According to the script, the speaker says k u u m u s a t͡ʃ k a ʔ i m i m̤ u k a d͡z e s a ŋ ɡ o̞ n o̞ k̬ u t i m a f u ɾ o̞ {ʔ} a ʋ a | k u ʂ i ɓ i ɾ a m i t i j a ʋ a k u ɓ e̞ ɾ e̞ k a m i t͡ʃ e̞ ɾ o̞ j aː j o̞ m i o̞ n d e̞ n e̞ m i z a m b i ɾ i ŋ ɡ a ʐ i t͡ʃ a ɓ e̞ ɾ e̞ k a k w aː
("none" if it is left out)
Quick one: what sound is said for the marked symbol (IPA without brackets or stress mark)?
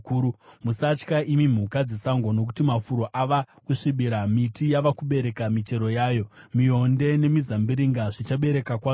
ʔ